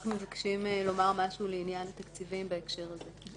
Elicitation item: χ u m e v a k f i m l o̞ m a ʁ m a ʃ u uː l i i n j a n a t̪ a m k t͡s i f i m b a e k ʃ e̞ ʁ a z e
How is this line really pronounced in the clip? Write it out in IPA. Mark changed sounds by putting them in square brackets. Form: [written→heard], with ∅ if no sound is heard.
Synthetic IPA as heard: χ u m e v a k [f→ʃ] i m l o̞ m a ʁ m a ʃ u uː l [i→e] i n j a n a t̪ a [m→∅] k t͡s i [f→v] i m b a e k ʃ e̞ ʁ a z e

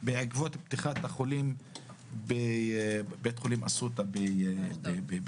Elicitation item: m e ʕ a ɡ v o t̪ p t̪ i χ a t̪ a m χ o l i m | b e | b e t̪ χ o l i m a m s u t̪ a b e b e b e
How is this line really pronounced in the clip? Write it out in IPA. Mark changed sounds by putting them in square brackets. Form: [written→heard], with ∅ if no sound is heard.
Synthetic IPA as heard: [m→b] e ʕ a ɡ v o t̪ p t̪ i χ a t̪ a [m→∅] χ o l i m | b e | b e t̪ χ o l i m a [m→∅] s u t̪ a b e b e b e

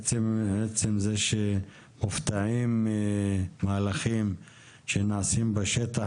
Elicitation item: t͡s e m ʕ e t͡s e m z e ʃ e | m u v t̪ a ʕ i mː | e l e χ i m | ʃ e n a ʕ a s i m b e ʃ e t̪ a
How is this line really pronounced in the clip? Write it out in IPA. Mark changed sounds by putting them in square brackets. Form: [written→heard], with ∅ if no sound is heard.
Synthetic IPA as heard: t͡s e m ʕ e t͡s e m z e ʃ e | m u [v→f] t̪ a ʕ i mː | [e→a] l [e→a] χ i m | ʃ e n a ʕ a s i m b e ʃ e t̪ a

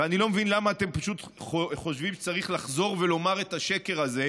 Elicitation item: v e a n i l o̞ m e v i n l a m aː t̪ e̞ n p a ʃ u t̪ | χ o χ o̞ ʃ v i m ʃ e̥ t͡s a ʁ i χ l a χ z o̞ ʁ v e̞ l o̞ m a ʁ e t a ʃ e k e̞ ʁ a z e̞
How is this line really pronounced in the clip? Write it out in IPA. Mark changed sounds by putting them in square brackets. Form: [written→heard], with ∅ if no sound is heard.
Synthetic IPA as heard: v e a n i l o̞ m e v i n l a m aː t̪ e̞ [n→m] p a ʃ u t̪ | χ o χ o̞ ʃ v i m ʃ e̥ t͡s a ʁ i χ l a χ z o̞ ʁ v e̞ l o̞ m a ʁ e t a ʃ e k e̞ ʁ a z e̞

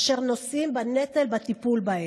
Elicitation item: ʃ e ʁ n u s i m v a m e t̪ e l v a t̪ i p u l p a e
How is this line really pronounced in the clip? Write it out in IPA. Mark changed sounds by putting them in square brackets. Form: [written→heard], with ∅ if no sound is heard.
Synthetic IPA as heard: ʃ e ʁ n [u→o] s i m [v→b] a [m→n] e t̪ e l [v→b] a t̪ i p u l [p→b] a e

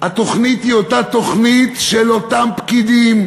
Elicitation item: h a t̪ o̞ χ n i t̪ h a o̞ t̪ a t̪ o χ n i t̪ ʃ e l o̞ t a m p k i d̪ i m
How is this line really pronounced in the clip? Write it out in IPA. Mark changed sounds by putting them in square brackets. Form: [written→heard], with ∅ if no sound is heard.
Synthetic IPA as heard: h a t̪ o̞ χ n i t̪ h [a→i] o̞ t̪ a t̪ o χ n i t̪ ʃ e l o̞ t a m p k i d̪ i m

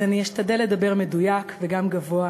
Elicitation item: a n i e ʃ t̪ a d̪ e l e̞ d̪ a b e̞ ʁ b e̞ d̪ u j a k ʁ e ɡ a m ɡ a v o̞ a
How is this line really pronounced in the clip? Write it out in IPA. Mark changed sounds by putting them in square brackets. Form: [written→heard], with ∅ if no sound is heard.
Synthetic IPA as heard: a n i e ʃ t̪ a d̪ e l e̞ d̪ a b e̞ ʁ [b→m] e̞ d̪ u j a k [ʁ→v] e ɡ a m ɡ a v o̞ a

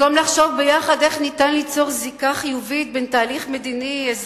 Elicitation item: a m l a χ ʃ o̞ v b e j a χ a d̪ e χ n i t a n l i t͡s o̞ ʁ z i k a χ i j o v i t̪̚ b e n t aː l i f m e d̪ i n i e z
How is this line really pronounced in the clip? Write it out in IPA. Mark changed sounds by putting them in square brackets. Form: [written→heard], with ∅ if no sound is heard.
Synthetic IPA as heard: a m l a χ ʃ o̞ v b e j a χ a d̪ e χ n i t a n l i t͡s o̞ ʁ z i k a χ i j [o→u] v i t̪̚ b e n t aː l i [f→χ] m e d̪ i n i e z

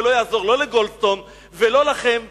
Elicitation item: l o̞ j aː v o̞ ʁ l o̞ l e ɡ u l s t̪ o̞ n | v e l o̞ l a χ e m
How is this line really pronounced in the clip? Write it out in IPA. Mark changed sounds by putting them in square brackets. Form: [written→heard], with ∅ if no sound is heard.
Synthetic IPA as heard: l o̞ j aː [v→z] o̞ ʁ l o̞ l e ɡ [u→o] l s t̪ o̞ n | v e l o̞ l a χ e m

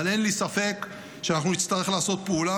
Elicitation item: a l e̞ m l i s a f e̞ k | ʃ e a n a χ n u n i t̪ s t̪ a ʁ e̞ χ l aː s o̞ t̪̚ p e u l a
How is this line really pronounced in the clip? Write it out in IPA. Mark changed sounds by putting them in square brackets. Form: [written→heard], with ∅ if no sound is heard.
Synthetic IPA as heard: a l e̞ [m→n] l i s a f e̞ k | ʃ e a n a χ n u n i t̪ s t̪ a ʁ e̞ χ l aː s o̞ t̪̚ p e u l a

